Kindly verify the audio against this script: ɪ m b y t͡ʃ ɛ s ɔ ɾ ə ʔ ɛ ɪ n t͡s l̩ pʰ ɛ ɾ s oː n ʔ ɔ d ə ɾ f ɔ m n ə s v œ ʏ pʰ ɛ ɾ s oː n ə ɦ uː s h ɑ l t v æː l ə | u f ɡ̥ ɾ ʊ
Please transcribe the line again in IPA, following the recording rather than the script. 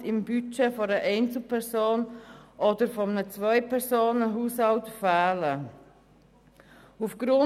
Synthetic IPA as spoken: ɪ m b y t͡ʃ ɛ f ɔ ɾ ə ʔ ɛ ɪ n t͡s l̩ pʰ ɛ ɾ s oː n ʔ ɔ d ə ɾ f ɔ m n ə t͡s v œ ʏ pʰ ɛ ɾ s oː n ə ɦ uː s h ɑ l t f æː l ə | u f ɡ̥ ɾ ʊ